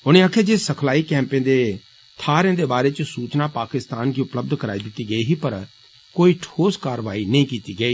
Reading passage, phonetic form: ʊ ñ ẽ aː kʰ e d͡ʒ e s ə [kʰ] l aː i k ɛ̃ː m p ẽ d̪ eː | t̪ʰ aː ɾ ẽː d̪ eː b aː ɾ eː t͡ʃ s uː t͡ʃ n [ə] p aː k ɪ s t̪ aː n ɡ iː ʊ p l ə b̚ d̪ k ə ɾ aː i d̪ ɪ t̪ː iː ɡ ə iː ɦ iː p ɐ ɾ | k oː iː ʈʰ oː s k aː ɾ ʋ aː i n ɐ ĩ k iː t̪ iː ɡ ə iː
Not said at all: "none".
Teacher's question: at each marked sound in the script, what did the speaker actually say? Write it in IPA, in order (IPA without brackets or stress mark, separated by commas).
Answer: kʰ, a